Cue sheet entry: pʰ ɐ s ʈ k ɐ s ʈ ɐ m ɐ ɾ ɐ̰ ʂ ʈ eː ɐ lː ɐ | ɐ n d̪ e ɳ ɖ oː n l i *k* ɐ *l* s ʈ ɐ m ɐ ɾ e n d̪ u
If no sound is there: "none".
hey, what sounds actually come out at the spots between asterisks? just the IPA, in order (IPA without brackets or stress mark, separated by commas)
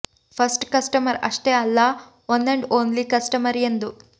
k, none